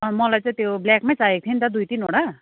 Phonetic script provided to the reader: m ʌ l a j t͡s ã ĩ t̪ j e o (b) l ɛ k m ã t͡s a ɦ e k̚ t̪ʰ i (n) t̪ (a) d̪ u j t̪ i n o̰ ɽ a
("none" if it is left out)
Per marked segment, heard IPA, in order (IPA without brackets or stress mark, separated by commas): b, n, a